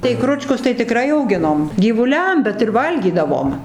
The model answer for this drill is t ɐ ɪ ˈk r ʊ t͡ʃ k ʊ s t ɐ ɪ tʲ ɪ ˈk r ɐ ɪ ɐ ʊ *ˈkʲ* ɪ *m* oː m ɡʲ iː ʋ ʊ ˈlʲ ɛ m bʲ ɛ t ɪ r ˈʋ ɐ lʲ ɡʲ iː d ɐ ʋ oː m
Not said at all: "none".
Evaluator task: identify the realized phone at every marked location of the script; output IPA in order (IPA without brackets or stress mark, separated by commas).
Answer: ɡʲ, n